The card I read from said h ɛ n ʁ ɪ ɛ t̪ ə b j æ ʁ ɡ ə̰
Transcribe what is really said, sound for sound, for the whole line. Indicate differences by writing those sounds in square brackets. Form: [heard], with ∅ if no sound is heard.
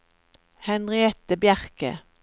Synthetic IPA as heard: h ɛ n ʁ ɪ ɛ t̪ ə b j æ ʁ [k] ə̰

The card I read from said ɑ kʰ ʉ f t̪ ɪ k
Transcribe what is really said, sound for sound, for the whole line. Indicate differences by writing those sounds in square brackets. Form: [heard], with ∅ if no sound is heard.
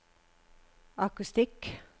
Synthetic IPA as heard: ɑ [k] ʉ [s] t̪ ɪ k

